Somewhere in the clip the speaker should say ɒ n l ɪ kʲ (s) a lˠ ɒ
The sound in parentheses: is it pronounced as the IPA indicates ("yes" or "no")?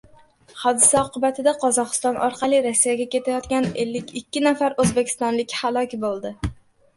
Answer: no